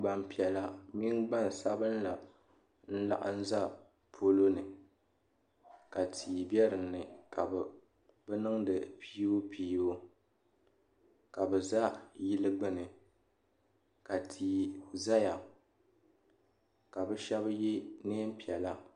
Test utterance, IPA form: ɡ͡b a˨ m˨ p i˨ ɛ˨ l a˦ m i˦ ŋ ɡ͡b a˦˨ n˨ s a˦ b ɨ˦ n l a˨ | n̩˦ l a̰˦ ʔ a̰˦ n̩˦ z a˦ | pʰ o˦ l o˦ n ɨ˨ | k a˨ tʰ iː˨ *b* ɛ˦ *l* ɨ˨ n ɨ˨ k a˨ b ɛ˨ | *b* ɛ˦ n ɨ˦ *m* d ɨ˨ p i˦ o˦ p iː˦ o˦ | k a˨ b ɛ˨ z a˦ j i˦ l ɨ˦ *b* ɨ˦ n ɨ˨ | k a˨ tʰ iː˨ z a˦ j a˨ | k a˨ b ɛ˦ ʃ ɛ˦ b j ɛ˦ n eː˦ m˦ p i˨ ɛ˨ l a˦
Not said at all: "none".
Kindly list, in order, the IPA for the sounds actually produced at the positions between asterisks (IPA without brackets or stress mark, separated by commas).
b, ɾ, b, ŋ, ɡ͡b